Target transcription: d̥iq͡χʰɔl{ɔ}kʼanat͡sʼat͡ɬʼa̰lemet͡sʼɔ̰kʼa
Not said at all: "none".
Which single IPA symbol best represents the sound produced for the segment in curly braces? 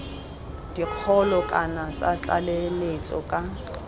ɔ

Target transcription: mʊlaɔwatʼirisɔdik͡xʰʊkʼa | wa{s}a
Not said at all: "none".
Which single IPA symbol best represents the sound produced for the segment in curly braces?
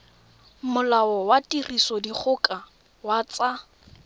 t͡s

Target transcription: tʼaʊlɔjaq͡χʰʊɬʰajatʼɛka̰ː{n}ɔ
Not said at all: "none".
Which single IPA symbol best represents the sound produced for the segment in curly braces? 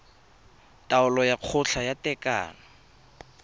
n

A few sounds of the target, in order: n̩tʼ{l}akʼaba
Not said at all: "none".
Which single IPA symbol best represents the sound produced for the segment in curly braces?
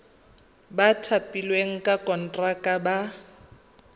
r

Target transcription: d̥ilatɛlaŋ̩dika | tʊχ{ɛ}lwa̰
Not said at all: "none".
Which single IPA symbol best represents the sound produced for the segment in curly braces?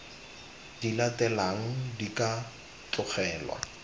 ɛː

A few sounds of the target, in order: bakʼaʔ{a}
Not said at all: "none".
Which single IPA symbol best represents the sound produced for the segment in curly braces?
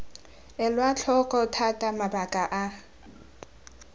a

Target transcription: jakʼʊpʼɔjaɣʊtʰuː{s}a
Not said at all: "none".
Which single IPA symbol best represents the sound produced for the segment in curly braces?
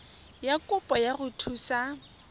s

